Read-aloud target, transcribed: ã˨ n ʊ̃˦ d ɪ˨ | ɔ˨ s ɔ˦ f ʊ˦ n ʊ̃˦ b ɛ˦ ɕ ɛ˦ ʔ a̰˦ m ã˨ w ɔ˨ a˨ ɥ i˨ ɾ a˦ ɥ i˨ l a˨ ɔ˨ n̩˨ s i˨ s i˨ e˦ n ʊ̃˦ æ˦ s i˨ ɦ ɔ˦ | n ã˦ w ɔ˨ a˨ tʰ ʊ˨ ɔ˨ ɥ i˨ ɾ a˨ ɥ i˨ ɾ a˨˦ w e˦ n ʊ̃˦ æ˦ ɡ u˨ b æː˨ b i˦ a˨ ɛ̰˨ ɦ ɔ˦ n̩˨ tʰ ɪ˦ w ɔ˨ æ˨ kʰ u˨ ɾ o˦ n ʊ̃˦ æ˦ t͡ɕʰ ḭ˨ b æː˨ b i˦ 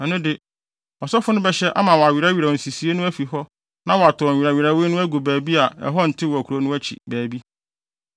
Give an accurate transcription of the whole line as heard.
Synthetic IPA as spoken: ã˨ n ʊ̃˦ d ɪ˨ | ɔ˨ s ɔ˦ f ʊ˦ n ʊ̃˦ b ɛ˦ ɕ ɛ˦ ʔ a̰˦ m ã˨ w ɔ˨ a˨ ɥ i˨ ɾ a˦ ɥ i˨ ɾ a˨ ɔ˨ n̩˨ s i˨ s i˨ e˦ n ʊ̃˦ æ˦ f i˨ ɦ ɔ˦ | n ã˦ w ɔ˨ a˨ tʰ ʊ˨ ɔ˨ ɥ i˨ ɾ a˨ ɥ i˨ ɾ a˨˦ w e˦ n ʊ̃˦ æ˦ ɡ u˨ b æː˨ b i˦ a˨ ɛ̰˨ ɦ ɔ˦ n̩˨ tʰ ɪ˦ w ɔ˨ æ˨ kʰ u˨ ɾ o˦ n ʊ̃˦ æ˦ t͡ɕʰ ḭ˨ b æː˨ b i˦

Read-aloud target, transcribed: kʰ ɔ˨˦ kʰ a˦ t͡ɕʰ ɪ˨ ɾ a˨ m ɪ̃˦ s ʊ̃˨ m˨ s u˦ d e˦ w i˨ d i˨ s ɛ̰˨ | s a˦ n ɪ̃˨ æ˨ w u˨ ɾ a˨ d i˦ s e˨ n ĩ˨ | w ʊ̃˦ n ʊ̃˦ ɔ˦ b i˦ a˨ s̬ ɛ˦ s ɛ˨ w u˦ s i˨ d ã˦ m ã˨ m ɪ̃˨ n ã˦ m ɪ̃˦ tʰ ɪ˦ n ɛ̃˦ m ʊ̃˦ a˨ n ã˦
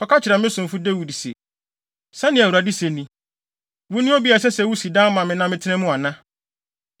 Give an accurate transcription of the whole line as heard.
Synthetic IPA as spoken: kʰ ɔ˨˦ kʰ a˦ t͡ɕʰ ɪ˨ ɾ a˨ m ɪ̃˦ s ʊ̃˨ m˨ f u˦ d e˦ w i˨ d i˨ s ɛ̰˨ | s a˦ n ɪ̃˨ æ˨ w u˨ ɾ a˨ d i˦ s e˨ n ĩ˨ | w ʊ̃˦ n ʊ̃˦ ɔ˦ b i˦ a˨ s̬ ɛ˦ s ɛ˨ w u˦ s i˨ d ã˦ m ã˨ m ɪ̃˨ n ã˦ m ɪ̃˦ tʰ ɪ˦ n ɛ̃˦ m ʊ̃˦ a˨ n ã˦

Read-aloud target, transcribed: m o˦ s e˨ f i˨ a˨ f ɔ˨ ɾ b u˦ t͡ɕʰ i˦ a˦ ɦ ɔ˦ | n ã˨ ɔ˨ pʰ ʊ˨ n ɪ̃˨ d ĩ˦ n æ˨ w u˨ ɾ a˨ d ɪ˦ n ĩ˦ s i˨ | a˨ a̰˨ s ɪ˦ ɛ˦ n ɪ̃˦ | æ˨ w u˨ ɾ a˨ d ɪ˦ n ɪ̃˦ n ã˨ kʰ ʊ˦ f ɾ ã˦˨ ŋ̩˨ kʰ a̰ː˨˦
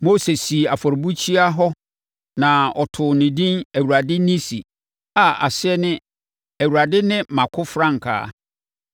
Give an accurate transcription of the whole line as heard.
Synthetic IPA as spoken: m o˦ s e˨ s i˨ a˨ f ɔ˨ ɾ b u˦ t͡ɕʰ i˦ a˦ ɦ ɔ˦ | n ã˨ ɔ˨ tʰ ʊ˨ n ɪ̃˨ d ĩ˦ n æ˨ w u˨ ɾ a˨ d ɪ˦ n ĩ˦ s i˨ | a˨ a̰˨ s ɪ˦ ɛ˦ n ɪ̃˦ | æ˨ w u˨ ɾ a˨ d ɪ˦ n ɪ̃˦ m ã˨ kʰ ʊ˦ f ɾ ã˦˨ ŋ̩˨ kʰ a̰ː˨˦

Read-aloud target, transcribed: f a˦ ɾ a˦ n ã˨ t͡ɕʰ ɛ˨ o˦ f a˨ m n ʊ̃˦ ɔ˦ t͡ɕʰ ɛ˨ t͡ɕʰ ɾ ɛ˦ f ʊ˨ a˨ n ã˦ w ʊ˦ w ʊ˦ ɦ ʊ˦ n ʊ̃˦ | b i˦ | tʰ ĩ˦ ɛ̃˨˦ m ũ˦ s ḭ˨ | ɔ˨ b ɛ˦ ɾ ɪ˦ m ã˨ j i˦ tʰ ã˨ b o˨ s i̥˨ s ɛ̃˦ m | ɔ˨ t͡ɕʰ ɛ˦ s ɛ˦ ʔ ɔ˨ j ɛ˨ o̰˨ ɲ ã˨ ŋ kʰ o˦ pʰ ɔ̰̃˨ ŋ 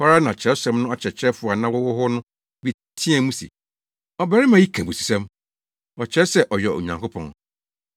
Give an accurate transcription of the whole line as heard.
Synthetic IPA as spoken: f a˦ ɾ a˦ n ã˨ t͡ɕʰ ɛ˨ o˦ s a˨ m n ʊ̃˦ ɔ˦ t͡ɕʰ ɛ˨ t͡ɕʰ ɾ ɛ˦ f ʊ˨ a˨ n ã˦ w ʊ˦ w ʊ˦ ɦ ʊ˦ n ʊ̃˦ | b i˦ | tʰ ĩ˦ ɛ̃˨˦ m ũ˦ s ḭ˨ | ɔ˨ b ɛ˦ ɾ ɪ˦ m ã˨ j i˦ kʰ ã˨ b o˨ s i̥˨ s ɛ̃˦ m | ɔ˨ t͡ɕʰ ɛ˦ s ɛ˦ ʔ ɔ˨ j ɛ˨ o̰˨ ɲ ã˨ ŋ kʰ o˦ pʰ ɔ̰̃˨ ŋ

